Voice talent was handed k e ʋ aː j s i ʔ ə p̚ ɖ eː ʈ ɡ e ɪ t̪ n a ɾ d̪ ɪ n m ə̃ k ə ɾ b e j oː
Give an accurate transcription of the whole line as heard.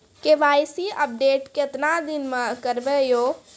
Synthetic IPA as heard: k e ʋ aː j s i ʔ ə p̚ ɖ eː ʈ k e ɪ t̪ n a d̪ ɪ n m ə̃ k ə ɾ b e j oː